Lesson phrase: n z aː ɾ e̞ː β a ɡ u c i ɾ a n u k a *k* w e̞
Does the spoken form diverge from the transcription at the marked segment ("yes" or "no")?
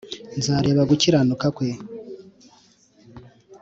no